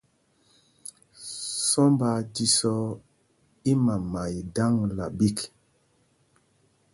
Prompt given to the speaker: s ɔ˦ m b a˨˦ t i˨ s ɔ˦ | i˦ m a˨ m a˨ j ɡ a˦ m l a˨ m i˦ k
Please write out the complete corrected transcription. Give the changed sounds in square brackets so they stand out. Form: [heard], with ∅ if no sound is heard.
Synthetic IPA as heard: s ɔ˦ m b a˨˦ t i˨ s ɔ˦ | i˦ m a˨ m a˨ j [d] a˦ [ŋ] l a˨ [b] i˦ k